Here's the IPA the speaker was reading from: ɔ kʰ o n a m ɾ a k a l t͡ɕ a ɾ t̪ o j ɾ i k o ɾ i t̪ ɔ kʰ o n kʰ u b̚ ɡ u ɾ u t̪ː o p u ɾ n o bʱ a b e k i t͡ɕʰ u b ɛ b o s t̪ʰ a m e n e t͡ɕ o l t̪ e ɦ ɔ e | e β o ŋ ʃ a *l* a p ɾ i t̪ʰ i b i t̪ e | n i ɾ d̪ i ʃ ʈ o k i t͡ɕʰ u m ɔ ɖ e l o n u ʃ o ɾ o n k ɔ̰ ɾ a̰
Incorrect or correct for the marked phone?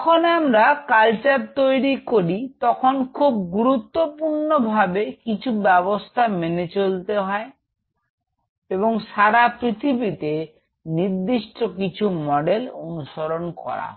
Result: incorrect: ɾ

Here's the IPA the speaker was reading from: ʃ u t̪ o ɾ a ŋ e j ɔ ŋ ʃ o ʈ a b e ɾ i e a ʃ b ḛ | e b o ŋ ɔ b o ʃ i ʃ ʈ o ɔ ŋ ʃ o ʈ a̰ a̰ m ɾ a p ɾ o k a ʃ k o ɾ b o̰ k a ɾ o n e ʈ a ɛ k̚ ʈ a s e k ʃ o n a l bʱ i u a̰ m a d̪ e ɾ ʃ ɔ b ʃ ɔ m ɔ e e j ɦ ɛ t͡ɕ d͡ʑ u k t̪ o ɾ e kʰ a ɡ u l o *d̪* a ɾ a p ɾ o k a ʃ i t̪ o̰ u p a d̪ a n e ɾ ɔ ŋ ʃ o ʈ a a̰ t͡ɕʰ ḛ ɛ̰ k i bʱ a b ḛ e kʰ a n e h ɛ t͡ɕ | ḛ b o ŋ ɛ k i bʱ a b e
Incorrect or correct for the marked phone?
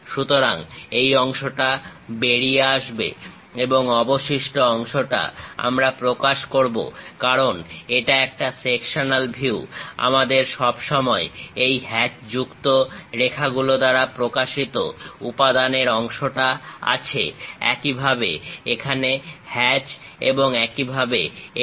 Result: correct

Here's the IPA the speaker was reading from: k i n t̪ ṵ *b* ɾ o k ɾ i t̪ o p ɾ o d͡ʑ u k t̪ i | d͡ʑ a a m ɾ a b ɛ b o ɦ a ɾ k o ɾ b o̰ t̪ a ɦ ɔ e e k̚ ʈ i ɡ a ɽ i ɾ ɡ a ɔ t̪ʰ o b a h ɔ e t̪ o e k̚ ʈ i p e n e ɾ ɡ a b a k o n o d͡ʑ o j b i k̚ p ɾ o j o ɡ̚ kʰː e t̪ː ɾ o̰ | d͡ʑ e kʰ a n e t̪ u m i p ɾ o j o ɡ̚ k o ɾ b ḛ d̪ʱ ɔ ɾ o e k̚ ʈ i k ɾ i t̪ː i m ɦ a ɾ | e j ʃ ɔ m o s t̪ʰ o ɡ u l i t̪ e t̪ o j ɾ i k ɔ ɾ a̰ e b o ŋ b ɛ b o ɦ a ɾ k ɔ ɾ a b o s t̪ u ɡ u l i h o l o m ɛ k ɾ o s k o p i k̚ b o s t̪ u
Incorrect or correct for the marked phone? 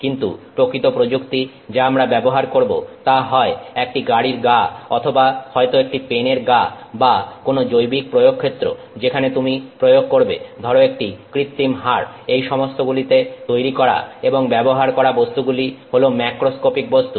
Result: incorrect: p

